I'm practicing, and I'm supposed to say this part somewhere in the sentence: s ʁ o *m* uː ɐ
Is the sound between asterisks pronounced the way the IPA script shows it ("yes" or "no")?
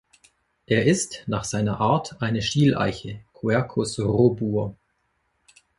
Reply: no